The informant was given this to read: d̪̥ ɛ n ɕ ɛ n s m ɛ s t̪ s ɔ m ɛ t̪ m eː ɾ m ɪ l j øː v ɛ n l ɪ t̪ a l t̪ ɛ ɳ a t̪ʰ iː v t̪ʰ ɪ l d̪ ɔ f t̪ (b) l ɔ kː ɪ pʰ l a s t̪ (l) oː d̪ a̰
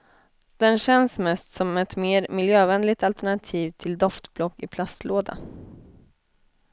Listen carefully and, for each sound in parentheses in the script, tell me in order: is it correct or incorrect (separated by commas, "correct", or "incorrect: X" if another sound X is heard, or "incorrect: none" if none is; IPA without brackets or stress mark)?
correct, correct